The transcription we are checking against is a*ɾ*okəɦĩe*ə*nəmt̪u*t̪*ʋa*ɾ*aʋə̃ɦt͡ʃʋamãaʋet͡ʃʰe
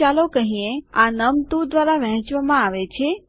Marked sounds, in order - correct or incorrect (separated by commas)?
incorrect, incorrect, incorrect, correct